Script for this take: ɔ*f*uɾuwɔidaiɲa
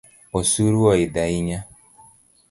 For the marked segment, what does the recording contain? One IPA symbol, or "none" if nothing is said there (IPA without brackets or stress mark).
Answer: s